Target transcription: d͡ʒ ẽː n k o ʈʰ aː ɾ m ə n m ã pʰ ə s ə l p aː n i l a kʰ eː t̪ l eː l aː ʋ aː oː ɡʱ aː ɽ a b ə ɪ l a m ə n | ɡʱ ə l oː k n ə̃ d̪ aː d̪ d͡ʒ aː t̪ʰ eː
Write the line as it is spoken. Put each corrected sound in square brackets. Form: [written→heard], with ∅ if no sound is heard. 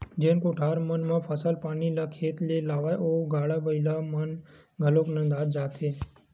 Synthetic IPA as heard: d͡ʒ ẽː n k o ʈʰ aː ɾ m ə n m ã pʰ ə s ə l p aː n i l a kʰ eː t̪ l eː l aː ʋ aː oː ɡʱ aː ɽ a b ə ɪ l a m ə n | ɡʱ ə l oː k n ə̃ d̪ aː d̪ d͡ʒ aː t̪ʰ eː

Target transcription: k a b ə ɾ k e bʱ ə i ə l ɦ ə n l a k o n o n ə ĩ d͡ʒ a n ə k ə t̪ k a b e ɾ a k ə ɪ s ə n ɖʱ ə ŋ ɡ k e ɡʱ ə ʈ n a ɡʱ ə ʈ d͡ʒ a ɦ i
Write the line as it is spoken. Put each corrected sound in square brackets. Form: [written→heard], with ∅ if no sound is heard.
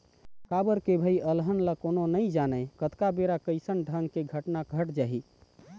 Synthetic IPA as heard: k a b ə ɾ k e bʱ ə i ə l ɦ ə n l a k o n o n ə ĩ d͡ʒ a n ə k ə t̪ k a b e ɾ a k ə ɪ s ə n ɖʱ ə ŋ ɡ k e ɡʱ ə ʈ n a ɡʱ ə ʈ d͡ʒ a ɦ i

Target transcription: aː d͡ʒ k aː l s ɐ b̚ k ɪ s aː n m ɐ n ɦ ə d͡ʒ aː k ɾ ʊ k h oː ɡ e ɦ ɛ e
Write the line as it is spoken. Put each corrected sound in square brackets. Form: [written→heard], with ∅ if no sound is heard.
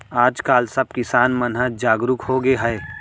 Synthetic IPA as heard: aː d͡ʒ k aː l s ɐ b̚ k ɪ s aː n m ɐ n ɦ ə d͡ʒ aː [k→ɡ] ɾ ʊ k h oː ɡ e ɦ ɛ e

